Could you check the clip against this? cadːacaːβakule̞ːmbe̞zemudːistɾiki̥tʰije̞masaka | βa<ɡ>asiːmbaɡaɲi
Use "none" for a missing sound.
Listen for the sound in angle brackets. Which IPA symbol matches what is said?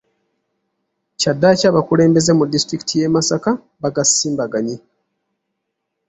ɡ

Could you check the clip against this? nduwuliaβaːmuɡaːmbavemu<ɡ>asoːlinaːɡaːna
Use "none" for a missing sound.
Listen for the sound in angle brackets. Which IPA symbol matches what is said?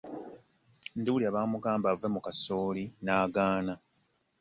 k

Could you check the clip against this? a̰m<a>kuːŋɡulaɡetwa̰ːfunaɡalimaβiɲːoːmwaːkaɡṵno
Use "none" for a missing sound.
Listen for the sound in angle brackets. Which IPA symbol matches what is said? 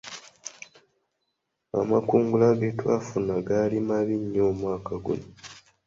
a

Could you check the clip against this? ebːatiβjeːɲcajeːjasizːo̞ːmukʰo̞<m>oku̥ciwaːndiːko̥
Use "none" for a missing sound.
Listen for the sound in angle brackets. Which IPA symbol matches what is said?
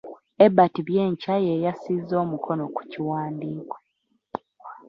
n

